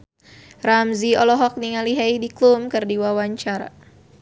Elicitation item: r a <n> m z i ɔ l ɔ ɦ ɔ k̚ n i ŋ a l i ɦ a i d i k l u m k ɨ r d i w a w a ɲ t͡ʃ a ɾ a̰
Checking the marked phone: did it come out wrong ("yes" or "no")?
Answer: yes